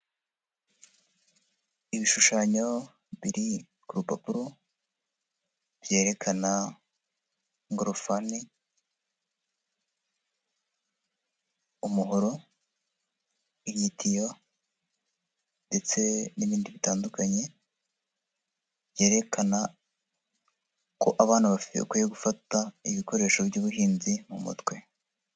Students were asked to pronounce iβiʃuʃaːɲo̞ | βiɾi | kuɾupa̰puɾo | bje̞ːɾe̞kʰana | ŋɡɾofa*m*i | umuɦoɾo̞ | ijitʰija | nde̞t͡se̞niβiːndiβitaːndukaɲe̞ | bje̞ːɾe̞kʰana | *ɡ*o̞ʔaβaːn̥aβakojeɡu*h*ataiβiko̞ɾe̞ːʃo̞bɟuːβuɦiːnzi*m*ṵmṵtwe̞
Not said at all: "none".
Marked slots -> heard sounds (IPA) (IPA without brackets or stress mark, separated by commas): n, k, f, m